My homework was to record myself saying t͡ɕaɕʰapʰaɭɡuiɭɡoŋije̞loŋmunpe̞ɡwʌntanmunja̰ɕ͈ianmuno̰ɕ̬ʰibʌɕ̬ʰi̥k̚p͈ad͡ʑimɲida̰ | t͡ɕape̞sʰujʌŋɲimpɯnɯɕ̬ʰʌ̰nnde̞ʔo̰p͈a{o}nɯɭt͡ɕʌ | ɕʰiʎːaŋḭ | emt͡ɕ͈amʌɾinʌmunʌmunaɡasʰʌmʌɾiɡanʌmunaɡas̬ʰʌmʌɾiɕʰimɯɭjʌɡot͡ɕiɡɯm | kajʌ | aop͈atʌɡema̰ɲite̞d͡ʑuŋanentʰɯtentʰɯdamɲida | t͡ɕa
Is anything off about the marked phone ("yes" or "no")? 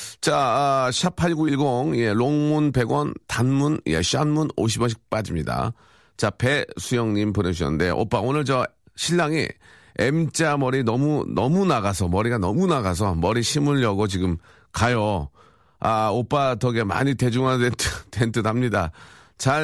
no